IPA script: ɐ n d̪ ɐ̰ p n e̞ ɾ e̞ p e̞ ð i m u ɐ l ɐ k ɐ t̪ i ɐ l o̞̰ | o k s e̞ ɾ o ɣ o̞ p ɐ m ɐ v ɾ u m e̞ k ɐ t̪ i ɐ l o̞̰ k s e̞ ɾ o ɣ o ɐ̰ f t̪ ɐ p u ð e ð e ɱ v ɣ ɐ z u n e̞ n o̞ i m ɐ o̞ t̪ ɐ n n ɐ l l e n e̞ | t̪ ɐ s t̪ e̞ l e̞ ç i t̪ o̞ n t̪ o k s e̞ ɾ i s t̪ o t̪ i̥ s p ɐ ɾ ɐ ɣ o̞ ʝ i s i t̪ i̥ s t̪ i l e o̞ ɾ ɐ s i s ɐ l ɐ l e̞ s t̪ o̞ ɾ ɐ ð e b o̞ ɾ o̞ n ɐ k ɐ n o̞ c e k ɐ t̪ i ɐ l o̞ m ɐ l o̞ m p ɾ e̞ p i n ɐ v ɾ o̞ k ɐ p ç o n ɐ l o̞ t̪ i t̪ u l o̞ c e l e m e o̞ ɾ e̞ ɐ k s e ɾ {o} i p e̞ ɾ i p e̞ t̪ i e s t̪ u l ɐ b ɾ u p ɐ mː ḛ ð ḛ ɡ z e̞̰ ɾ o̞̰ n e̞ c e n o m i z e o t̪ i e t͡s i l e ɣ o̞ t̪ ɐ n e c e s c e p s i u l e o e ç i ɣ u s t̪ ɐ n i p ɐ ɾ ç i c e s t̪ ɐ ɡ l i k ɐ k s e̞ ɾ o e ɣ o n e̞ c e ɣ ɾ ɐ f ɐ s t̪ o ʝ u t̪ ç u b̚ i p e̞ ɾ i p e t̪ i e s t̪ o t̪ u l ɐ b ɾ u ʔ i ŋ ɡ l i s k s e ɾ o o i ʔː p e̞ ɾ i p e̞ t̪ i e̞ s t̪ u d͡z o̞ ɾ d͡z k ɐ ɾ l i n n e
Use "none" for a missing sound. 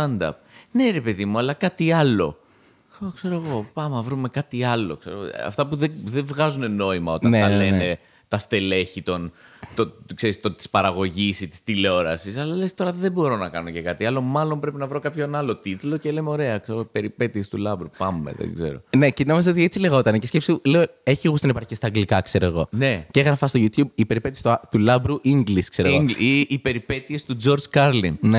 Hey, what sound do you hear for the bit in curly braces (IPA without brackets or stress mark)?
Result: o